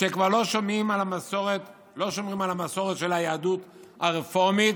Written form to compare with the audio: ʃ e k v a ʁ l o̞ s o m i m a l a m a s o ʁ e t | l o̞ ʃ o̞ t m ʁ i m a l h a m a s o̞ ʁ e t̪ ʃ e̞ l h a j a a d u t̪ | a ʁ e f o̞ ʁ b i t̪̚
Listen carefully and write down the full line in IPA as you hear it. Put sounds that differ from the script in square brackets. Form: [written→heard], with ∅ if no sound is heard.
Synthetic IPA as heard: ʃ e k v a ʁ l o̞ [s→ʃ] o m i m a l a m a s o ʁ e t | l o̞ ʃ o̞ [t→∅] m ʁ i m a l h a m a s o̞ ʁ e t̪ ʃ e̞ l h a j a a d u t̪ | a ʁ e f o̞ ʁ [b→m] i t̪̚